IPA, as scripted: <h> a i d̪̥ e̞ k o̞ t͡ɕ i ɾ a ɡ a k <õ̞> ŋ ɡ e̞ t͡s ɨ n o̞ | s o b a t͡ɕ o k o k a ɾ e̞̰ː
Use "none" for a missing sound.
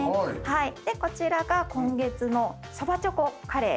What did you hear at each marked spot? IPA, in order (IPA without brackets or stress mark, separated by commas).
h, õ̞